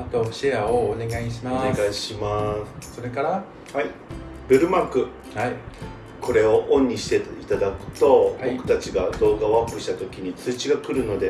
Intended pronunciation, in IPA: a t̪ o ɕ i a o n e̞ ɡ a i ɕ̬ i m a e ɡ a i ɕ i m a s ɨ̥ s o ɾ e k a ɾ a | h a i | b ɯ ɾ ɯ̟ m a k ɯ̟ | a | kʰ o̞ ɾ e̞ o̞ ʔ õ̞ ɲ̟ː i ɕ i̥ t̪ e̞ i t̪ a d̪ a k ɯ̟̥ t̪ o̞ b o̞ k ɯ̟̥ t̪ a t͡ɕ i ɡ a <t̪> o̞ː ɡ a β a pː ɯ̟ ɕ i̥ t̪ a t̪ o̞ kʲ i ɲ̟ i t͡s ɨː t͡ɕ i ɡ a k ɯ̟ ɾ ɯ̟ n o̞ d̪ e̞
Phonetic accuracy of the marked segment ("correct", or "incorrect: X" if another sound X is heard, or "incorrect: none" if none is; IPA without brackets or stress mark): incorrect: d̪